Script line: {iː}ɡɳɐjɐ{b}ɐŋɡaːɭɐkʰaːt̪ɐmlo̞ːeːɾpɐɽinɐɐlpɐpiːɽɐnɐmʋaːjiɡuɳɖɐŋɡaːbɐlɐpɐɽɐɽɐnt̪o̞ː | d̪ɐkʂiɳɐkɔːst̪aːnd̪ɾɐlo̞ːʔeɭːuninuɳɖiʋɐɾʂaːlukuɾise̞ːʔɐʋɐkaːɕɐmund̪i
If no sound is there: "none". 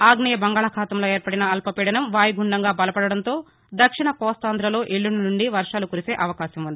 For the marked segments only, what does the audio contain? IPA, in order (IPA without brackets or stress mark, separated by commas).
aː, b